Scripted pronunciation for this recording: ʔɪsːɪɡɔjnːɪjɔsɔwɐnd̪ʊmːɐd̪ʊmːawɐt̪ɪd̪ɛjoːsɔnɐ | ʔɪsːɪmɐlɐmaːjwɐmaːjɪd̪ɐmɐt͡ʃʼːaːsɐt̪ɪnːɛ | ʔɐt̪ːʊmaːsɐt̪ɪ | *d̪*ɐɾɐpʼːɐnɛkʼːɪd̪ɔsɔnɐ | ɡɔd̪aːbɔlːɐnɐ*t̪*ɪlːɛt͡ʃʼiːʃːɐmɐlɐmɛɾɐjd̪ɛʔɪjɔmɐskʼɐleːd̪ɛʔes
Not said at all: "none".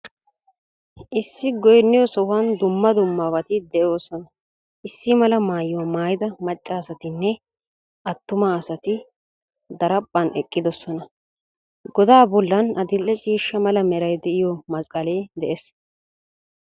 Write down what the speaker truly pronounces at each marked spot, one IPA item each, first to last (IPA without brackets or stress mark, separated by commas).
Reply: d̪, d̪